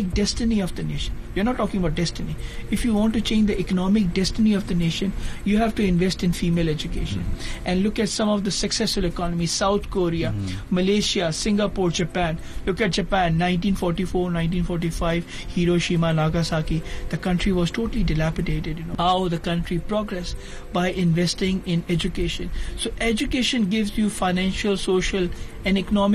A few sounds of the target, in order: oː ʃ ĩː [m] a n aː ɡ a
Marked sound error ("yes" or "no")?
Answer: no